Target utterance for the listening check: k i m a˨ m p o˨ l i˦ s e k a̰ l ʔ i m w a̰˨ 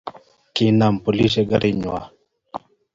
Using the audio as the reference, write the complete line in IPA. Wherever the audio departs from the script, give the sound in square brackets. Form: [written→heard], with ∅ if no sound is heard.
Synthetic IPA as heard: k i [m→n] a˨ m p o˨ l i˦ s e [k→ɡ] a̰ [l→ɾ] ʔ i [m→ɲ] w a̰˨